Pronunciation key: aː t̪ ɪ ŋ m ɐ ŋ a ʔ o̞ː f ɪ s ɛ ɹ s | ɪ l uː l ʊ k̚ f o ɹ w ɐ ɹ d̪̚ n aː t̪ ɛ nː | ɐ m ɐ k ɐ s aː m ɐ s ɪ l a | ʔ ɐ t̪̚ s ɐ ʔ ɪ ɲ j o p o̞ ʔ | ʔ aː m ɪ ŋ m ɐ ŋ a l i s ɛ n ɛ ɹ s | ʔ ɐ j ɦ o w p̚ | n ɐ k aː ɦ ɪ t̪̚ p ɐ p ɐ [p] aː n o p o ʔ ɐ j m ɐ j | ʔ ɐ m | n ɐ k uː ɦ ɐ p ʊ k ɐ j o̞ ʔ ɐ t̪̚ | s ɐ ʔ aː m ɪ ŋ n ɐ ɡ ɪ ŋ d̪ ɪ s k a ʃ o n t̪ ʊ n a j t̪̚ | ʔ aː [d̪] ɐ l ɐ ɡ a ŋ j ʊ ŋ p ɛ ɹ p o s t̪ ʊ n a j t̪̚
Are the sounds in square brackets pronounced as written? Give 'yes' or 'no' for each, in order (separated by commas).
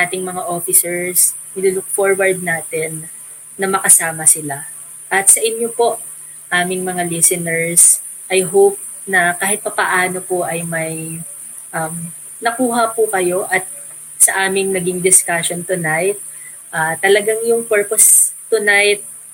no, no